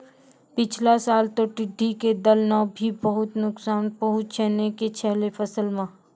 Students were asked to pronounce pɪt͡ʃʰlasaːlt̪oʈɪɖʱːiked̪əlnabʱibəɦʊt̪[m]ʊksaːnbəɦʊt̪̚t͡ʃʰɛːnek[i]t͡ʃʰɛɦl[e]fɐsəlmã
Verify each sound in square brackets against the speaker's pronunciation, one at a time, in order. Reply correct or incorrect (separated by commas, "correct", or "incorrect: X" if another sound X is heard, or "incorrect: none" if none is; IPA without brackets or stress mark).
incorrect: n, incorrect: e, correct